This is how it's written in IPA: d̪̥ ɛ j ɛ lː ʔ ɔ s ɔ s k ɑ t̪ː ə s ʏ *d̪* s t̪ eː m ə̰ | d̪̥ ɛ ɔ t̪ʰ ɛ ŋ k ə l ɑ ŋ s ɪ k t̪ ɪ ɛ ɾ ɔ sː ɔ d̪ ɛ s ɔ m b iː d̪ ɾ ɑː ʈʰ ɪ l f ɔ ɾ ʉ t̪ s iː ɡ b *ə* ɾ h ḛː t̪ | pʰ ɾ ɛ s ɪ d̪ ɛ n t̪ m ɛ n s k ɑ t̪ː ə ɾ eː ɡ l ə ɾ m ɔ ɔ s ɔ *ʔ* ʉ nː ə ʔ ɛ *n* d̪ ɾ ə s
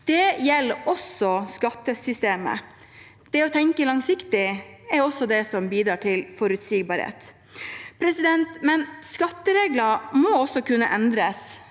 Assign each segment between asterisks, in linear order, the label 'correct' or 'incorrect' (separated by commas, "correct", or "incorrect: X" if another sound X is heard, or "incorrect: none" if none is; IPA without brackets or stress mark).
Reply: incorrect: none, incorrect: ɑ, incorrect: k, correct